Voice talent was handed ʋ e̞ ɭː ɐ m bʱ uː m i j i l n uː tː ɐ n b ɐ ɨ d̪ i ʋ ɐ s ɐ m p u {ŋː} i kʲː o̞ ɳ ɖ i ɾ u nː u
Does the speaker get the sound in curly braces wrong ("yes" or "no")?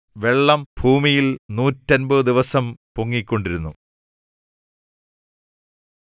no